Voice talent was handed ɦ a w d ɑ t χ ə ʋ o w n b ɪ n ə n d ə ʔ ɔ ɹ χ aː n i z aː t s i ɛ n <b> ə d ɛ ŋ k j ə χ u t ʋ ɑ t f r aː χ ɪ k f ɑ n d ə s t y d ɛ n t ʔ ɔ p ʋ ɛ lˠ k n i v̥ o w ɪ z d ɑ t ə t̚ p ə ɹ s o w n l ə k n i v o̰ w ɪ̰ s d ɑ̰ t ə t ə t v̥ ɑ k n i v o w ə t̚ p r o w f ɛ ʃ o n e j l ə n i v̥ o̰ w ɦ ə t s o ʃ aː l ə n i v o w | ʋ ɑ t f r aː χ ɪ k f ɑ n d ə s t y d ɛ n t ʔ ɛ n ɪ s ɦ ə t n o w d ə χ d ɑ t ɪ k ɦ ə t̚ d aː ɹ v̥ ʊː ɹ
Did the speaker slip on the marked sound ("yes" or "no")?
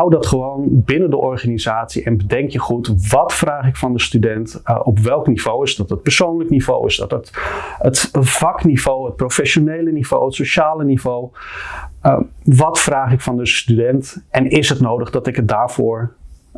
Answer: no